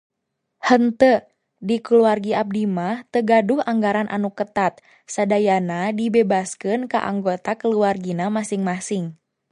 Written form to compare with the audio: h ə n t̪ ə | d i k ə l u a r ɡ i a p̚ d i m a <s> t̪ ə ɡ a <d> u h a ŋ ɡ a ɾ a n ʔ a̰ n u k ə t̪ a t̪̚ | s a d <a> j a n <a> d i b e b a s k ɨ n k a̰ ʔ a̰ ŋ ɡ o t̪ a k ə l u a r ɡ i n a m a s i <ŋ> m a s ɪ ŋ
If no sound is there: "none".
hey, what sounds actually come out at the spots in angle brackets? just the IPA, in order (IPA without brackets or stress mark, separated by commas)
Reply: h, d, a, a, ŋ